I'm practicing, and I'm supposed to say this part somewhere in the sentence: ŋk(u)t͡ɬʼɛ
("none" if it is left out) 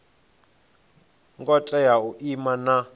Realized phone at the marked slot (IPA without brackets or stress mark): ɔ